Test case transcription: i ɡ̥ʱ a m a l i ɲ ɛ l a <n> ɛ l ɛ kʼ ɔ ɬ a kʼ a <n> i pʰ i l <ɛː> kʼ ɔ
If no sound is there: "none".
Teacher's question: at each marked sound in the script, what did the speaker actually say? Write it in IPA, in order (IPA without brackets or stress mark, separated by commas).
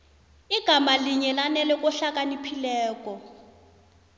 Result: n, n, ɛː